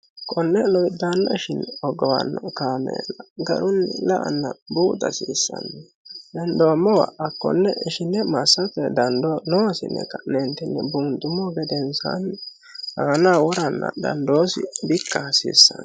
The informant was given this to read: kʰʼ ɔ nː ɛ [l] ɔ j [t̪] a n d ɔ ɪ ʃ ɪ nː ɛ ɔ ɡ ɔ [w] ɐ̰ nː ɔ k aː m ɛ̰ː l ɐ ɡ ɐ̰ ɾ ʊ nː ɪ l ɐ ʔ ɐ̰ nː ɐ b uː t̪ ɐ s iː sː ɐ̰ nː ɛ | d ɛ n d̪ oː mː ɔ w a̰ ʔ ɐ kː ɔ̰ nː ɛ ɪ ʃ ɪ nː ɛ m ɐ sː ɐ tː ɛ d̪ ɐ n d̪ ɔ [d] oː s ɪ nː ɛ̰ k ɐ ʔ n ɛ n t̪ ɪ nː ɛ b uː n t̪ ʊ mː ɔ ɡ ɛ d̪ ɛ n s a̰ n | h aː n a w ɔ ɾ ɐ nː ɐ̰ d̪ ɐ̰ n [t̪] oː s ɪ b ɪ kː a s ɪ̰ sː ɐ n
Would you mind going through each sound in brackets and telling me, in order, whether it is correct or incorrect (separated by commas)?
correct, incorrect, correct, incorrect, incorrect